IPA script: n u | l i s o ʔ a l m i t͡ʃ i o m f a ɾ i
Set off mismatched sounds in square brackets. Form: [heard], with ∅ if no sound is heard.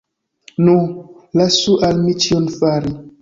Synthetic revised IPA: n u | l [a] s [u] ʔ a l m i t͡ʃ i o [n] f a ɾ i